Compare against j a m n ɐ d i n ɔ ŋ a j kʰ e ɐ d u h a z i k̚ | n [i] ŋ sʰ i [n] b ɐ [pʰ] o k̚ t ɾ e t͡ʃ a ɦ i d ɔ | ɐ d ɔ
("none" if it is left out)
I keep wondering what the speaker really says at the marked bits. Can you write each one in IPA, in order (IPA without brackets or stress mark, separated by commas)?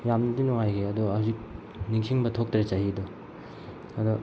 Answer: i, ŋ, tʰ